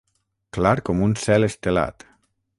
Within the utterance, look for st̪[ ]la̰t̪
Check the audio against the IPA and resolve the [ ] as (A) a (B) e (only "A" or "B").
B